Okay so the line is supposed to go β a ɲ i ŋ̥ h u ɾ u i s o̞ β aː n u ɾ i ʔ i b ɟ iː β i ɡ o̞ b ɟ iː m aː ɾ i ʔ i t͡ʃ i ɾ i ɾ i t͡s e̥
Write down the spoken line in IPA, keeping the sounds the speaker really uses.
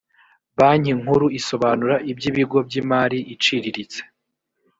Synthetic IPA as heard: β a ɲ i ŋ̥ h u ɾ u i s o̞ β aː n u ɾ a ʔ i b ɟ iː β i ɡ o̞ b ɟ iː m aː ɾ i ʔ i t͡ʃ i ɾ i ɾ i t͡s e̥